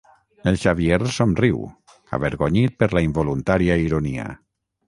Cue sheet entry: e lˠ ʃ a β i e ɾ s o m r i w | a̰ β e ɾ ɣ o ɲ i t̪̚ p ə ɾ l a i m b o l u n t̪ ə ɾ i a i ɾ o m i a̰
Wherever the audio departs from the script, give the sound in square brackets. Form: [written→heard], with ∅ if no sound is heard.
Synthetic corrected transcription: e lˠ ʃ a β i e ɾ s o m r i w | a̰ β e ɾ ɣ o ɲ i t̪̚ p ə ɾ l a i m b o l u n t̪ [ə→a] ɾ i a i ɾ o [m→n] i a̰

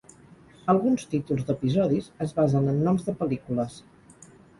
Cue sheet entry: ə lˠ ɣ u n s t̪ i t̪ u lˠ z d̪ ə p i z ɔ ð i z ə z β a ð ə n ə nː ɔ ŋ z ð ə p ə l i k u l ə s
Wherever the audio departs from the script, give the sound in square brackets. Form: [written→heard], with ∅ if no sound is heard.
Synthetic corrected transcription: ə lˠ ɣ u n s t̪ i t̪ u lˠ z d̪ ə p i z ɔ ð i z ə z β a [ð→z] ə n ə nː ɔ [ŋ→m] z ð ə p ə l i k u l ə s

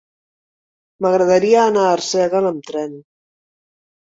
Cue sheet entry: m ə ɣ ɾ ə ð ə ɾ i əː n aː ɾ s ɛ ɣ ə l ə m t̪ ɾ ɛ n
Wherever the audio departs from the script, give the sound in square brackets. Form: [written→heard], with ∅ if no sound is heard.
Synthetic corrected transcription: m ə ɣ ɾ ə ð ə ɾ i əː n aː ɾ s ɛ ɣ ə l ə m t̪ ɾ ɛ n

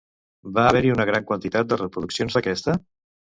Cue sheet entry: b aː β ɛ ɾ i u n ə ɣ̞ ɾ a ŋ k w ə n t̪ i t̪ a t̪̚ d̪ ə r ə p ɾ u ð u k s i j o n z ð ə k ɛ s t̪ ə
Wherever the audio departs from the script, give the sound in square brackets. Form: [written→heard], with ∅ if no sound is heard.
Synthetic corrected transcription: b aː β ɛ ɾ i u n ə ɣ̞ ɾ a ŋ k w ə n t̪ i t̪ a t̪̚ d̪ ə r ə p ɾ u ð u k s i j o n z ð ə k ɛ s t̪ ə

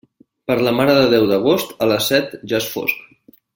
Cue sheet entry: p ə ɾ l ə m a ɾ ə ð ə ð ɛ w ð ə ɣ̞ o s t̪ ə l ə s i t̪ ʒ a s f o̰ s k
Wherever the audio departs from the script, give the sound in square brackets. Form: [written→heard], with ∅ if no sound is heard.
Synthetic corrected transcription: p ə ɾ l ə m a ɾ ə ð ə ð ɛ w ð ə ɣ̞ o s t̪ ə l ə s [i→ɛ] t̪ ʒ a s f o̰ s k

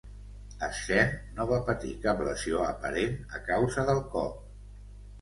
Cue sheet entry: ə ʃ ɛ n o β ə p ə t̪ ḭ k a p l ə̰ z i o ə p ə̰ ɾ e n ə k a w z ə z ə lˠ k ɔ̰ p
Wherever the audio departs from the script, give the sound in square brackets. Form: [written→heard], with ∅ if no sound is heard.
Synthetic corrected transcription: ə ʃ ɛ n o β [ə→a] p ə t̪ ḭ k a p l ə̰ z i o ə p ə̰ ɾ e n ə k a w z ə [z→ð] ə lˠ k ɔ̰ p

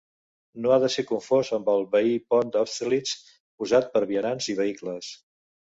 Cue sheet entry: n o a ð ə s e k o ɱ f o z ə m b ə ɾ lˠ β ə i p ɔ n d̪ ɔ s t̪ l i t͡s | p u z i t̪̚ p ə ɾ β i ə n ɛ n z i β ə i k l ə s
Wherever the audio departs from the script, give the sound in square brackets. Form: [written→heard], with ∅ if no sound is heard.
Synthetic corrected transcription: n o a ð ə s e k [o→u] ɱ f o z ə m b ə [ɾ→∅] lˠ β ə i p ɔ n d̪ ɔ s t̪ l i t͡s | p u z [i→a] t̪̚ p ə ɾ β i ə n [ɛ→a] n z i β ə i k l ə s

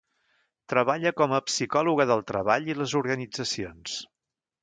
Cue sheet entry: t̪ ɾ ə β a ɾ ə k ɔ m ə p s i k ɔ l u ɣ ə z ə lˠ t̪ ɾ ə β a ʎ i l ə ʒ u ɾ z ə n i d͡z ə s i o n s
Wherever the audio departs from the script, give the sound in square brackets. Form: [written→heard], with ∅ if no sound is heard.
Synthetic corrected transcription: t̪ ɾ ə β a [ɾ→ʎ] ə k ɔ m ə p s i k ɔ l u ɣ ə [z→ð] ə lˠ t̪ ɾ ə β a ʎ i l ə [ʒ→z] u ɾ [z→ɣ] ə n i d͡z ə s i o n s

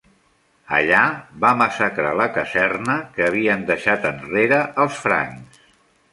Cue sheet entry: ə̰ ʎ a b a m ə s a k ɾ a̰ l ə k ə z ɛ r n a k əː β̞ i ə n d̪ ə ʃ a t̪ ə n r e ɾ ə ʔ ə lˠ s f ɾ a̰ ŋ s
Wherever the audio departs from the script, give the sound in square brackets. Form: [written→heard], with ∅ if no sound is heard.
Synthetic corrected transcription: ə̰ ʎ a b a m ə s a k ɾ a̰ l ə k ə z ɛ r n [a→ə] k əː β̞ i ə n d̪ ə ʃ a t̪ ə n r e ɾ ə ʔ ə lˠ s f ɾ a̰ ŋ s

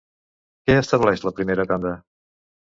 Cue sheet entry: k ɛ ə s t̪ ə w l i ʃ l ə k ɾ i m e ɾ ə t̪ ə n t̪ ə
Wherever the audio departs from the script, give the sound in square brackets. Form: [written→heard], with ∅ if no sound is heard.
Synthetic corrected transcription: k ɛ ə s t̪ ə [w→β] l [i→ɛ] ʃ l ə [k→p] ɾ i m e ɾ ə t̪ [ə→a] n [t̪→d̪] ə

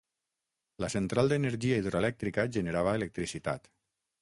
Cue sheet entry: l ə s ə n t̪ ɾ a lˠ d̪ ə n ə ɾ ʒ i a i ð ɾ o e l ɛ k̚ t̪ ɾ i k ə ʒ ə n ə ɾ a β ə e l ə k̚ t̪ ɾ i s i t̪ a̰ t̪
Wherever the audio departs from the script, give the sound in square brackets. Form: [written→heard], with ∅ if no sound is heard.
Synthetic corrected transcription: l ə s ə n t̪ ɾ a lˠ d̪ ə n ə ɾ ʒ i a i ð ɾ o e l ɛ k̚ t̪ ɾ i k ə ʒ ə n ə ɾ a β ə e l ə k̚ t̪ ɾ i s i t̪ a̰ t̪

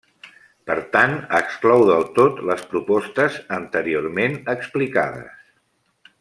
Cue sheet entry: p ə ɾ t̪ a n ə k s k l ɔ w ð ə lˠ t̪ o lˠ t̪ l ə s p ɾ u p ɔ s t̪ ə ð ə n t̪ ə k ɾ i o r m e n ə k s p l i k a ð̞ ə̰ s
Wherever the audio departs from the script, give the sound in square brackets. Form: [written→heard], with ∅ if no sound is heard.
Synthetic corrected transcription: p ə ɾ t̪ a n ə k s k l ɔ w ð ə lˠ t̪ o [lˠ→∅] t̪ l ə s p ɾ u p ɔ s t̪ ə [ð→z] ə n t̪ ə [k→∅] ɾ i o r m e n ə k s p l i k a ð̞ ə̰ s

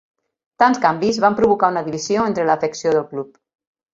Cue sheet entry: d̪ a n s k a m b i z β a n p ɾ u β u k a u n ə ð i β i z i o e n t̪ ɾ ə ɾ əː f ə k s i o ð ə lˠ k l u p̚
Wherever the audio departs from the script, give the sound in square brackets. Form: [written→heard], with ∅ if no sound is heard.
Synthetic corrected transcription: [d̪→t̪] a n s k a m b i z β a [n→m] p ɾ u β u k a u n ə ð i β i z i o e n t̪ ɾ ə [ɾ→l] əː f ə k s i o ð ə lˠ k l u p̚

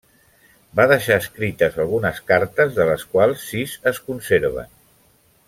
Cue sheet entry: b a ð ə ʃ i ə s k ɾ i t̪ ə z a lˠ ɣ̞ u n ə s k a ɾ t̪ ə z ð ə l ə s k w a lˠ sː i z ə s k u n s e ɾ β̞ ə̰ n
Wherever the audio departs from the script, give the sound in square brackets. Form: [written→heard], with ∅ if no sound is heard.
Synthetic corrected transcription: b a ð ə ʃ [i→a] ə s k ɾ i t̪ ə z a lˠ ɣ̞ u n ə s k a ɾ t̪ ə z ð ə l ə s k w a lˠ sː i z ə s k u n s e ɾ β̞ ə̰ n

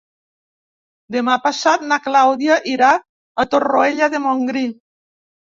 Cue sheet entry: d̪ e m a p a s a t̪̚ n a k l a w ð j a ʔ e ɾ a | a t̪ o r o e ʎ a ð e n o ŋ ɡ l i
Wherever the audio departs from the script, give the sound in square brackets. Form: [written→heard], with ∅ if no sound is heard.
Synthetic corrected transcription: d̪ e m a p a s a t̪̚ n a k l a w ð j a ʔ [e→i] ɾ a | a t̪ o r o e ʎ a ð e [n→m] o ŋ ɡ [l→ɾ] i

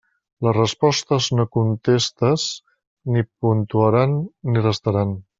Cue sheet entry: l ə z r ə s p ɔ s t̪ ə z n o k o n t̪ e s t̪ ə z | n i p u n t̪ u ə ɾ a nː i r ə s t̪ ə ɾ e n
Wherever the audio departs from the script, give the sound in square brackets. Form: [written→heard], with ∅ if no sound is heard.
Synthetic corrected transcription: l ə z r ə s p ɔ s t̪ ə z n o k [o→u] n t̪ e s t̪ ə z | n i p u n t̪ u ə ɾ a nː i r ə s t̪ ə ɾ [e→a] n

